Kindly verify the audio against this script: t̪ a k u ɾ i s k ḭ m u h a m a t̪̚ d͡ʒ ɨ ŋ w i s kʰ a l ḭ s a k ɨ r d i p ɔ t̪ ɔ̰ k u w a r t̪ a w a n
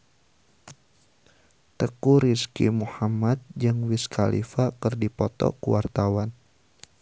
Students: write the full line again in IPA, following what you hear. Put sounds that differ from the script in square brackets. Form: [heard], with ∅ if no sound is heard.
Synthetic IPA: t̪ [ə] k u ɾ i s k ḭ m u h a m a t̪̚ d͡ʒ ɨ ŋ w i s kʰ a l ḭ [f] a k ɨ r d i p ɔ t̪ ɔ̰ k u w a r t̪ a w a n